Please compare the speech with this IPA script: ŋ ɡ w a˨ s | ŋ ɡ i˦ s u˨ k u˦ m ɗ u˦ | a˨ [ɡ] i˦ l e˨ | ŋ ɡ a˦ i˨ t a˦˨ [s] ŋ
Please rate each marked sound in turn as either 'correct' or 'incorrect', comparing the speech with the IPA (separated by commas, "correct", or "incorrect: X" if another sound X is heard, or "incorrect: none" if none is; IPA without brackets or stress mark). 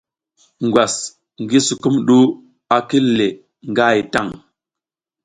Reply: incorrect: k, incorrect: none